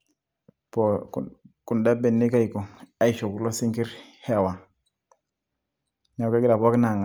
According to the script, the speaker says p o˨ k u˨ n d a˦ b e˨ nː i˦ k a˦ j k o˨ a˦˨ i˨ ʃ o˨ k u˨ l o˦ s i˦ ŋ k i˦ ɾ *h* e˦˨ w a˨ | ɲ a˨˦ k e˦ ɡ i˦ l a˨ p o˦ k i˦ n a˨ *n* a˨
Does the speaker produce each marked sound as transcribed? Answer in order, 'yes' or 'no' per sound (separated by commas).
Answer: yes, no